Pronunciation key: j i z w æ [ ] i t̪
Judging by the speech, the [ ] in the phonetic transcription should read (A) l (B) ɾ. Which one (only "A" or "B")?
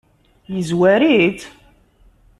B